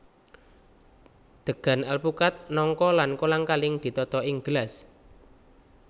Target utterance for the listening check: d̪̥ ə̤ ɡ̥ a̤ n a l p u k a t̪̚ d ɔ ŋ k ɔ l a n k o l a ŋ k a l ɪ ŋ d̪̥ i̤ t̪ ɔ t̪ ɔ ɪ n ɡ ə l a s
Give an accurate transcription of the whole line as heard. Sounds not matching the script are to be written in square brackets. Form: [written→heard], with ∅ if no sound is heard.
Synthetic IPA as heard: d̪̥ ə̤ ɡ̥ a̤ n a l p u k a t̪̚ [d→n] ɔ ŋ k ɔ l a n k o l a ŋ k a l ɪ ŋ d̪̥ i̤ t̪ ɔ t̪ ɔ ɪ [n→ŋ] ɡ ə l a s